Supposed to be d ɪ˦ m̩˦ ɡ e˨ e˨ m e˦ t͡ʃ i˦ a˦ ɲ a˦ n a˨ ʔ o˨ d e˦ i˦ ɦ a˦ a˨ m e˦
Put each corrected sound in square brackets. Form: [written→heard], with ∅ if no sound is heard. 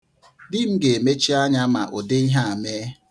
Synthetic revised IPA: d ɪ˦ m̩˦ ɡ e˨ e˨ m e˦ t͡ʃ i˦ a˦ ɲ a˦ [n→m] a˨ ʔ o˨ d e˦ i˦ ɦ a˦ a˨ m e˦